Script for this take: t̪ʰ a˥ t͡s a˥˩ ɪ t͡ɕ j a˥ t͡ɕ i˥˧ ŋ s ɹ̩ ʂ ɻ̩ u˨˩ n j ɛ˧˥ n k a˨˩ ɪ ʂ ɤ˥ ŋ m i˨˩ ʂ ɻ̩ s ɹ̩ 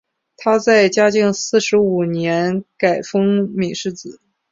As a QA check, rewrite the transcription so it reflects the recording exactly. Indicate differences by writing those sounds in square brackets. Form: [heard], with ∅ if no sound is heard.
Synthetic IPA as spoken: t̪ʰ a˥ t͡s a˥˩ ɪ t͡ɕ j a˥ t͡ɕ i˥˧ ŋ s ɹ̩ ʂ ɻ̩ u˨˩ n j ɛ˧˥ n k a˨˩ ɪ [f] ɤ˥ ŋ m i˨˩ ʂ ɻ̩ [t͡s] ɹ̩